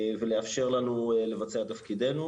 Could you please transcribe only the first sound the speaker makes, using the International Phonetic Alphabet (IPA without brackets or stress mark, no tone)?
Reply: v